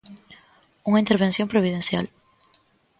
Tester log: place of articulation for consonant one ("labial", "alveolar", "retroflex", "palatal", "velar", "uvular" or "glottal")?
velar